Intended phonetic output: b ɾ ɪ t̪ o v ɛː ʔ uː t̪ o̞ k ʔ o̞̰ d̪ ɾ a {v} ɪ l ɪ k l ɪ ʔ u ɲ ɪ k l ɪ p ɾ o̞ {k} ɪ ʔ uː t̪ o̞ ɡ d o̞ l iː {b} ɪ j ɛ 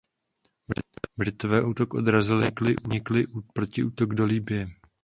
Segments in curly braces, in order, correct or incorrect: incorrect: z, incorrect: c, correct

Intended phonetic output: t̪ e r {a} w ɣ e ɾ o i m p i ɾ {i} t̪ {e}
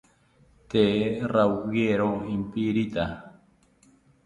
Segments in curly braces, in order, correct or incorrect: correct, correct, incorrect: a

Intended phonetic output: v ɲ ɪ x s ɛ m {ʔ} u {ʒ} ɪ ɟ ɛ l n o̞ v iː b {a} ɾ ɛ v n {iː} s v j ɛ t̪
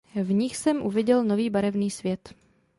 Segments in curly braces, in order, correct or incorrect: correct, incorrect: v, correct, correct

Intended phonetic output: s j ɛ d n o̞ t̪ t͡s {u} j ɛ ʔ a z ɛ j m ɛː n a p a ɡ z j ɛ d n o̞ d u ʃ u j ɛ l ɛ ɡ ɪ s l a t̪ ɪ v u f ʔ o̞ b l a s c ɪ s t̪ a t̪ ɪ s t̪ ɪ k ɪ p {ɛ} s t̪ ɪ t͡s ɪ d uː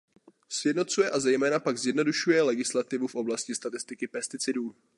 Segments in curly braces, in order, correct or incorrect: correct, correct

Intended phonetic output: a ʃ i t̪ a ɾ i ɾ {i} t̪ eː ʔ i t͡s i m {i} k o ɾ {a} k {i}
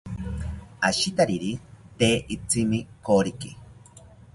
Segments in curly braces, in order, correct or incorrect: correct, correct, incorrect: i, correct

